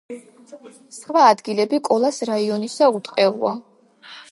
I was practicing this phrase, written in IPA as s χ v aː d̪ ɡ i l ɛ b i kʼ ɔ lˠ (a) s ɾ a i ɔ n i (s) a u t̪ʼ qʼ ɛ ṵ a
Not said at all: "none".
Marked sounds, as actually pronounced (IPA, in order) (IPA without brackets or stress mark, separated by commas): a, s